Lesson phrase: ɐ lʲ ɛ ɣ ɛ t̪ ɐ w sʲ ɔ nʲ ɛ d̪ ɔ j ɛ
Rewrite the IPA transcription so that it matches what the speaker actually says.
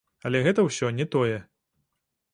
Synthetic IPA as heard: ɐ lʲ ɛ ɣ ɛ t̪ ɐ w sʲ ɔ nʲ ɛ t̪ ɔ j ɛ